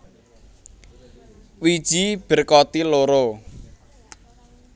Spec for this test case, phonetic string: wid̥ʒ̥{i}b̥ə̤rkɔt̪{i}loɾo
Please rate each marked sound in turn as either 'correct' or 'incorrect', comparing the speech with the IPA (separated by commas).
correct, correct